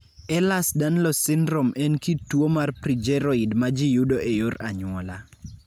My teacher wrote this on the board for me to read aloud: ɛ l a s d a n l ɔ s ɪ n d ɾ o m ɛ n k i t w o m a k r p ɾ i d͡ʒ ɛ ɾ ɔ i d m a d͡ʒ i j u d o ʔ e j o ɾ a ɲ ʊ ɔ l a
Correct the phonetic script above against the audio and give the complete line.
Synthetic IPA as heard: ɛ l a s d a n l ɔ s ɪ n d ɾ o m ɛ n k i t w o m a r p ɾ i d͡ʒ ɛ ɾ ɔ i d m a d͡ʒ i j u d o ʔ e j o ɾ a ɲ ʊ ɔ l a